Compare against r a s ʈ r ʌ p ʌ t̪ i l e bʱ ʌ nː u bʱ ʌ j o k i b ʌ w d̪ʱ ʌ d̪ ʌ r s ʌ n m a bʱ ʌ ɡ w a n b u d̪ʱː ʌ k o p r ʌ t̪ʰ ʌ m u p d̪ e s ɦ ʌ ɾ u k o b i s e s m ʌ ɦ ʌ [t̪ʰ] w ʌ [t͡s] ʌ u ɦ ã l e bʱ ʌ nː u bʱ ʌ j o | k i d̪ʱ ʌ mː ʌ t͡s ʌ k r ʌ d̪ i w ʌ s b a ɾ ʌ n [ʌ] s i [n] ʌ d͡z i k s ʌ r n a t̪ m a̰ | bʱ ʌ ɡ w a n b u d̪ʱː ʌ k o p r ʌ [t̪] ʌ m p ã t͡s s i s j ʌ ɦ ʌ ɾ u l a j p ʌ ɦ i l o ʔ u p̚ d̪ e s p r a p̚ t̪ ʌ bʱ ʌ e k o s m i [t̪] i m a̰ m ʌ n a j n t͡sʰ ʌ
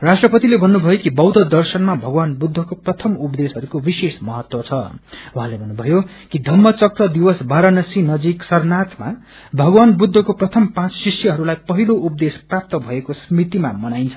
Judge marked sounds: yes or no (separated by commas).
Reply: no, no, yes, yes, no, yes